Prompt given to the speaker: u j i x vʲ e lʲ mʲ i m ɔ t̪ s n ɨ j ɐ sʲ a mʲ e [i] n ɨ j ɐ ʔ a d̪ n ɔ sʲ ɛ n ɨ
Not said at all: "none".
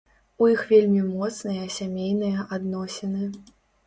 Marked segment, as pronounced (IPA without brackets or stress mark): j